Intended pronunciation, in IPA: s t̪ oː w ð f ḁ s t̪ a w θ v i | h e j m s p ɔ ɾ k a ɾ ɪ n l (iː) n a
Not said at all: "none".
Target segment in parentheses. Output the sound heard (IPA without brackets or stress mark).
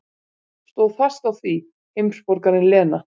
ɛː